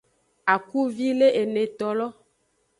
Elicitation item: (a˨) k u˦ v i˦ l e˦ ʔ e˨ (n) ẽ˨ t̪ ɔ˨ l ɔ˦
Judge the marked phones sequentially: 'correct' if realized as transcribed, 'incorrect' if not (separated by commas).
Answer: correct, correct